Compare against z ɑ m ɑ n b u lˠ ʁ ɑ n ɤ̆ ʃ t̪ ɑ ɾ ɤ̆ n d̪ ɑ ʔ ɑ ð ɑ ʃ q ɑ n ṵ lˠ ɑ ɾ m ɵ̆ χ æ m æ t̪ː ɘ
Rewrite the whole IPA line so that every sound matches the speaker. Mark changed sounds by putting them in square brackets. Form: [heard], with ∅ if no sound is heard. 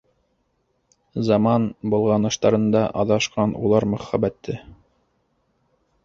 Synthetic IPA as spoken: z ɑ m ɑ n b u lˠ ʁ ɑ n ɤ̆ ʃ t̪ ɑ ɾ ɤ̆ n d̪ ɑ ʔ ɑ ð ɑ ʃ q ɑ n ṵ lˠ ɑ ɾ m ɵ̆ χ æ [b] æ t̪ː ɘ